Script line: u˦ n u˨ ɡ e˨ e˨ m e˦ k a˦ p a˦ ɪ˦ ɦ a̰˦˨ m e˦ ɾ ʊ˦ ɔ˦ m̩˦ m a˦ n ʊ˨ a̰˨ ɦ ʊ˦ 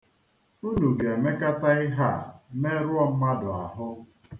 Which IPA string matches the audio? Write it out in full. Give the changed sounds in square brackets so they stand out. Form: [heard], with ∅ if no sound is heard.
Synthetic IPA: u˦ n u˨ ɡ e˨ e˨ m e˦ k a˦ [t] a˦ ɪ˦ ɦ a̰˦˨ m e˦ ɾ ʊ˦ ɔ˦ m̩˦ m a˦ [d] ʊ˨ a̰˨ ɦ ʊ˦